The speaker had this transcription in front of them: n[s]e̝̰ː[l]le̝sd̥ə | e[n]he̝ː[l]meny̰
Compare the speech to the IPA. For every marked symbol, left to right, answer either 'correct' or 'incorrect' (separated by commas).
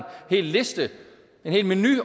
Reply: incorrect, correct, correct, correct